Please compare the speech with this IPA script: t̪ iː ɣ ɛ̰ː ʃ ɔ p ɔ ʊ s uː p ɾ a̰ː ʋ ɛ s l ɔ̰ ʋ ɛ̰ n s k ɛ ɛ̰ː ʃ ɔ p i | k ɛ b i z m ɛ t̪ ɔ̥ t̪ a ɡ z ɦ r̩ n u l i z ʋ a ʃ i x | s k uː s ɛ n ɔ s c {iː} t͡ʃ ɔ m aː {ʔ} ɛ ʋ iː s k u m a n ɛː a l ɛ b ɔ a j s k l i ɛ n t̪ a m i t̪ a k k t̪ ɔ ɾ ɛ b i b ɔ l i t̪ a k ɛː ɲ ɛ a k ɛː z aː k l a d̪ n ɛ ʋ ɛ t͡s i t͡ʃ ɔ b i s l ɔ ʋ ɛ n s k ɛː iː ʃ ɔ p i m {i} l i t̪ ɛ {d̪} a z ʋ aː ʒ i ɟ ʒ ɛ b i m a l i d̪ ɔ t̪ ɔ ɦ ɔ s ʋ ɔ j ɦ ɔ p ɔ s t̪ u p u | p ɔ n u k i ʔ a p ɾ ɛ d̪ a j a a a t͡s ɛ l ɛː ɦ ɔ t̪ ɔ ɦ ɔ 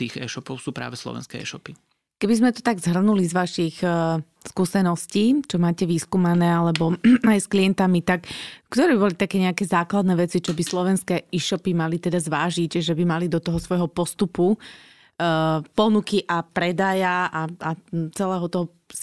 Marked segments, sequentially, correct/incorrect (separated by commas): correct, incorrect, incorrect, correct